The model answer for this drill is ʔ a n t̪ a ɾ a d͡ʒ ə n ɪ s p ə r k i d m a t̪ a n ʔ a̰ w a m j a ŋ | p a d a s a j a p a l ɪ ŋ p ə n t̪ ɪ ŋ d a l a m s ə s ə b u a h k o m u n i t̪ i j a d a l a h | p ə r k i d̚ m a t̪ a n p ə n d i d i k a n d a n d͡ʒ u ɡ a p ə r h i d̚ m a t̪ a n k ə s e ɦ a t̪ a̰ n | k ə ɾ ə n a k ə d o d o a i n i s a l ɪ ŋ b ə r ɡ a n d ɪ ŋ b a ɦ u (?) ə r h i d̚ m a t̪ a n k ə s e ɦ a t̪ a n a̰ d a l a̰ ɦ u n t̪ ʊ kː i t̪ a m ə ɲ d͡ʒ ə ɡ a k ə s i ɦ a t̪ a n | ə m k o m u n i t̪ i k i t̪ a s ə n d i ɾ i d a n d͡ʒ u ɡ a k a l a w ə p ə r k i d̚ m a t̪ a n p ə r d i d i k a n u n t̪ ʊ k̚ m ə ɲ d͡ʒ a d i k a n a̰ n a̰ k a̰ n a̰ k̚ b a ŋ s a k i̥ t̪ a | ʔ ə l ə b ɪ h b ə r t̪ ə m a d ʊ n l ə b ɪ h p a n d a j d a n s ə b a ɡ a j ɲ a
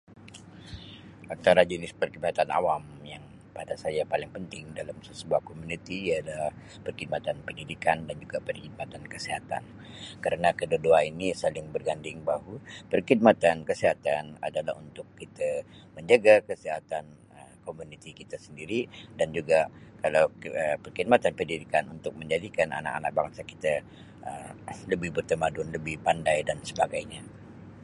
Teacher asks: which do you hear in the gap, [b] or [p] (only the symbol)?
p